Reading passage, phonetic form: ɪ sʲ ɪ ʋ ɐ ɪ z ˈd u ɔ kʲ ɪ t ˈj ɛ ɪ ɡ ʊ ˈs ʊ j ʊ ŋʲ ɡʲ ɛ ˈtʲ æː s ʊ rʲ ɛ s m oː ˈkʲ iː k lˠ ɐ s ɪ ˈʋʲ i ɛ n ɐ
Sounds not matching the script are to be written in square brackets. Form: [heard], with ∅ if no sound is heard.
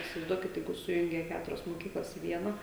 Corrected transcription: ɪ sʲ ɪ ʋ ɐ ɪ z ˈd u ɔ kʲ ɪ t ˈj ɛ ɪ ɡ ʊ ˈs ʊ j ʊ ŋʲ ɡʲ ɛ [ˈkʲ] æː [t] ʊ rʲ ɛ s m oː ˈkʲ iː k lˠ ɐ s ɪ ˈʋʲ i ɛ n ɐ

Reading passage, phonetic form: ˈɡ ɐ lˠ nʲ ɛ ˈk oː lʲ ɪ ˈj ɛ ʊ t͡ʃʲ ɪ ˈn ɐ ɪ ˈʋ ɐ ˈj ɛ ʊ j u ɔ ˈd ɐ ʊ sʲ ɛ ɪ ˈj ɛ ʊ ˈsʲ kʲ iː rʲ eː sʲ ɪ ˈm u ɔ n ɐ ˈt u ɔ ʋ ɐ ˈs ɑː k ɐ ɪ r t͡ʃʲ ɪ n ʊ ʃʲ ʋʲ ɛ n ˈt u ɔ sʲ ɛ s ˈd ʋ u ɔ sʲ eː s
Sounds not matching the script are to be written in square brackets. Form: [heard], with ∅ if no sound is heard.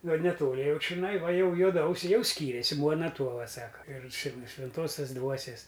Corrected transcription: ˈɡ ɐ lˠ nʲ ɛ [ˈt] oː lʲ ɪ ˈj ɛ ʊ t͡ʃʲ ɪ ˈn ɐ ɪ ˈʋ ɐ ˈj ɛ ʊ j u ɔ ˈd ɐ ʊ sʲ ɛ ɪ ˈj ɛ ʊ ˈsʲ kʲ iː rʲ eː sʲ ɪ ˈm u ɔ n ɐ ˈt u ɔ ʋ ɐ ˈs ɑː k ɐ ɪ r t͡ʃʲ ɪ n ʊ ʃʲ ʋʲ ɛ n ˈt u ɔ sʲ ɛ s ˈd ʋ u ɔ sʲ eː s

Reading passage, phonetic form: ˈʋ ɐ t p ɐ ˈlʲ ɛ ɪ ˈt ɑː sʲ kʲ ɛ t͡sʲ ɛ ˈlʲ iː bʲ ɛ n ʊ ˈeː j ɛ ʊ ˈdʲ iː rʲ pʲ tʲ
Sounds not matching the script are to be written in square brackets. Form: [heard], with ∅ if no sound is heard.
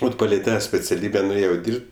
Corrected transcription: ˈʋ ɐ t p ɐ ˈlʲ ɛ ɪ ˈt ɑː sʲ [pʲ] ɛ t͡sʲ ɛ ˈlʲ iː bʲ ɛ n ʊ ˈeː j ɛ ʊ ˈdʲ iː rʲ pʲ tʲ

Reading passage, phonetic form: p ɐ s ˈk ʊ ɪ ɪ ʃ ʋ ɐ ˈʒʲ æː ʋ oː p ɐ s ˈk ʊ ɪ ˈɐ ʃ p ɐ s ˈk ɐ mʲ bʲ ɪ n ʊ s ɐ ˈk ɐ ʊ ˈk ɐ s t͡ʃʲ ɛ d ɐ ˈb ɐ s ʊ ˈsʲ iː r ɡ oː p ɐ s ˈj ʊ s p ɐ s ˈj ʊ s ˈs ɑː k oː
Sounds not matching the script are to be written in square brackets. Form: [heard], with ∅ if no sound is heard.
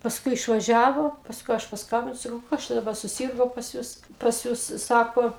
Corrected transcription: p ɐ s ˈk ʊ ɪ ɪ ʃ ʋ ɐ ˈʒʲ æː ʋ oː p ɐ s ˈk ʊ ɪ ˈɐ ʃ p ɐ s ˈk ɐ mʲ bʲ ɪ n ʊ s ɐ ˈk ɐ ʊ ˈk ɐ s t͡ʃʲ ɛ d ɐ ˈb ɐ s ʊ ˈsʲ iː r ɡ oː p ɐ s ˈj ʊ s p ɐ s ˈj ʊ s ˈs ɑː k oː

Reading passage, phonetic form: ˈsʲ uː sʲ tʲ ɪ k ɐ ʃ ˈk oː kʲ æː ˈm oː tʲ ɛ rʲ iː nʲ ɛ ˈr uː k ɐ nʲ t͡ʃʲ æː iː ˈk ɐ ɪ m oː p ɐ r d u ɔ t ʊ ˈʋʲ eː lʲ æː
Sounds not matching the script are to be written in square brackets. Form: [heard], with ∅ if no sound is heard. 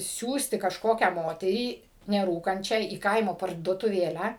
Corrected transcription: ˈsʲ uː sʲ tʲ ɪ k ɐ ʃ ˈk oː kʲ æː ˈm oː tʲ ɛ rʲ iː nʲ ɛ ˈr uː k ɐ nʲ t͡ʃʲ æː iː ˈk ɐ ɪ m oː p ɐ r d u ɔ t ʊ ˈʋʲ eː lʲ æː

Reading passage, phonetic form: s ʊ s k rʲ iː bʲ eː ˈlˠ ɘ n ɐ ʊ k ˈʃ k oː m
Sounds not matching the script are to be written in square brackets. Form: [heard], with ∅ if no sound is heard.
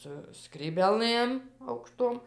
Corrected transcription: s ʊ s k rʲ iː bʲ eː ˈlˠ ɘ [m] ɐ ʊ k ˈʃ [t] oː m

